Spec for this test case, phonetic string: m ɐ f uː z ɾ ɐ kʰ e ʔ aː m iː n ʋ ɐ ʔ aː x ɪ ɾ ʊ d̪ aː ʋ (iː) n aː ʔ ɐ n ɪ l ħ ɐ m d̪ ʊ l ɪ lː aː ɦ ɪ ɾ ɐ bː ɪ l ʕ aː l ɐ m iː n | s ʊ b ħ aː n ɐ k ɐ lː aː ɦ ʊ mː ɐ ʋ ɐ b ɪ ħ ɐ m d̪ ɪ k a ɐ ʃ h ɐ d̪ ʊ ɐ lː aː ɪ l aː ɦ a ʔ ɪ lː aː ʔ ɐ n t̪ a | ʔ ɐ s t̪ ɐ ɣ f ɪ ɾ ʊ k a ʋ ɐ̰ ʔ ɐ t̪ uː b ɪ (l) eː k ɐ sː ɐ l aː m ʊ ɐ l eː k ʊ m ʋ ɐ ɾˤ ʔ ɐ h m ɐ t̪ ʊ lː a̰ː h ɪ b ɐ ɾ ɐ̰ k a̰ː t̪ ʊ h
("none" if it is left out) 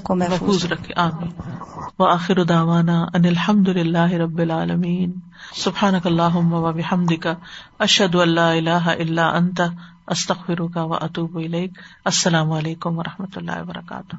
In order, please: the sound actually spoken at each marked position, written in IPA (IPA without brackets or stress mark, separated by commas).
aː, l